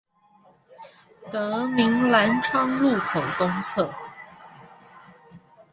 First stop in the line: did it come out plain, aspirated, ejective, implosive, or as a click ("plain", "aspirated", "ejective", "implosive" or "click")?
plain